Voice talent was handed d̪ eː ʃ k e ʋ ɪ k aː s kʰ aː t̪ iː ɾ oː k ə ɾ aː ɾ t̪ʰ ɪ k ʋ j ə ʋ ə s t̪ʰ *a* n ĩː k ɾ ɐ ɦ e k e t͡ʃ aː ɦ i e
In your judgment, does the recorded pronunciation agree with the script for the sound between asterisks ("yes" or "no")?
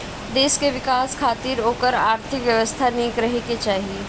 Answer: yes